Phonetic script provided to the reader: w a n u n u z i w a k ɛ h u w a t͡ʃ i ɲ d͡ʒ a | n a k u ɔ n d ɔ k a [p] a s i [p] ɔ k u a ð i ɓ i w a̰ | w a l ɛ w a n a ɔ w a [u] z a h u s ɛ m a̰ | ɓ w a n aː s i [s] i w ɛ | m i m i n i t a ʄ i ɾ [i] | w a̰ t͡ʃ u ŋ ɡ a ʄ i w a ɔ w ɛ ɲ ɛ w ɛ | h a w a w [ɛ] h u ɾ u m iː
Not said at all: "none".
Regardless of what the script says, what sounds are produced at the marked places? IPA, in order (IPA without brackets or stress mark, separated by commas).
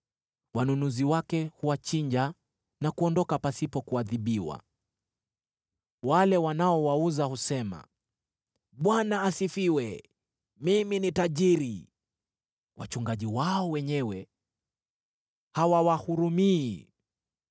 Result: p, p, u, f, i, a